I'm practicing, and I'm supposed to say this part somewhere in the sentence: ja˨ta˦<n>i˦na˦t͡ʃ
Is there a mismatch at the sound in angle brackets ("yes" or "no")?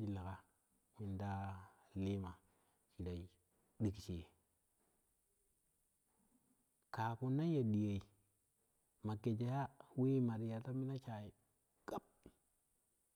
yes